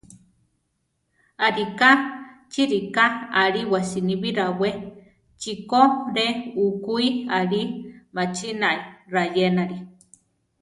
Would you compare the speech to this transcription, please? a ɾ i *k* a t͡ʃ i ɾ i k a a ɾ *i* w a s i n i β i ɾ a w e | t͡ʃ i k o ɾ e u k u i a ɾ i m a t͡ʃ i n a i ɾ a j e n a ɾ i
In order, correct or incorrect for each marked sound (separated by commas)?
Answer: correct, correct